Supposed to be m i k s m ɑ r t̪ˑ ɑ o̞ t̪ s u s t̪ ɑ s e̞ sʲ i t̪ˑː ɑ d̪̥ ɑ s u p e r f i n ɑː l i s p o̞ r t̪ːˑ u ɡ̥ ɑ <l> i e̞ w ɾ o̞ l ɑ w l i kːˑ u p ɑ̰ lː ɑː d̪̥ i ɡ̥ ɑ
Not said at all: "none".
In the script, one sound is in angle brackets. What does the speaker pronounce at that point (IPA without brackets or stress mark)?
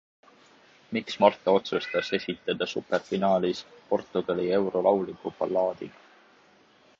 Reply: l